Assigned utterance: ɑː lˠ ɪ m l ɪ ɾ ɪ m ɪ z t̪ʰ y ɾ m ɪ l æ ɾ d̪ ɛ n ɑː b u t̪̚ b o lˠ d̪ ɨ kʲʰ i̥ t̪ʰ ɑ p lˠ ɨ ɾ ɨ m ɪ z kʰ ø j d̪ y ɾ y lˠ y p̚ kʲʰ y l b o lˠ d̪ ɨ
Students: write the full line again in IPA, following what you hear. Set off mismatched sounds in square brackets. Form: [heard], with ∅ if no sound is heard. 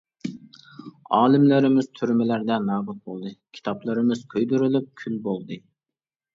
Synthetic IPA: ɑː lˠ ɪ m l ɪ ɾ ɪ m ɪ z t̪ʰ y ɾ m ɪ l æ ɾ d̪ ɛ n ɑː b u t̪̚ b o lˠ d̪ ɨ kʲʰ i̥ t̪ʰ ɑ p lˠ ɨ ɾ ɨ m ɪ z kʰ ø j d̪ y ɾ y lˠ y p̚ kʲʰ y l b o lˠ d̪ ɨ